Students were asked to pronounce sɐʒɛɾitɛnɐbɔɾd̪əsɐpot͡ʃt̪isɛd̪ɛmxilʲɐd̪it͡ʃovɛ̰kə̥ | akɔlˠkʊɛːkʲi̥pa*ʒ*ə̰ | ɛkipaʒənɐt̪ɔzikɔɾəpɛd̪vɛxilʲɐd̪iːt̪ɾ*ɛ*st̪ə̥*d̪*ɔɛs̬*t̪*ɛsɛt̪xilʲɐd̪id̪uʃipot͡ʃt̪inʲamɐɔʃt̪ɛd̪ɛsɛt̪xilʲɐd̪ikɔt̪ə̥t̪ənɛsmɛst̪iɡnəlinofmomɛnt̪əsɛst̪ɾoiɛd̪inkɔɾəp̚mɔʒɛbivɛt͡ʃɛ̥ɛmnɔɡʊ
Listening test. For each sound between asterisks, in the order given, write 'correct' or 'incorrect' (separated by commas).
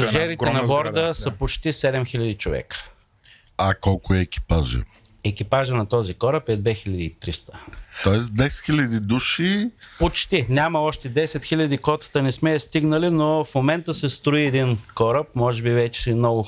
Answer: correct, incorrect, incorrect, incorrect